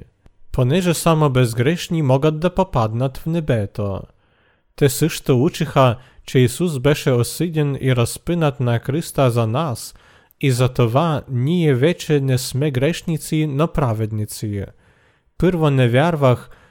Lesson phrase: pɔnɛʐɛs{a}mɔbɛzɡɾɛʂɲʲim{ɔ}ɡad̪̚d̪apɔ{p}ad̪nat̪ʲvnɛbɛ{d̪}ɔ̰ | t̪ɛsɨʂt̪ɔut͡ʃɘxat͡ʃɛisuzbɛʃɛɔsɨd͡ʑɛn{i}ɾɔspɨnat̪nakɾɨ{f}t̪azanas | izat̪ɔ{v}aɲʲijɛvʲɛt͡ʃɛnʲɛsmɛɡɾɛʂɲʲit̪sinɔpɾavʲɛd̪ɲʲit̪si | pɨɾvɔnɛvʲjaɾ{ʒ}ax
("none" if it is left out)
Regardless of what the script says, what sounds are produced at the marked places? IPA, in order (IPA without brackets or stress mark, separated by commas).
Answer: a, ɔ, p, t̪, i, s, v, v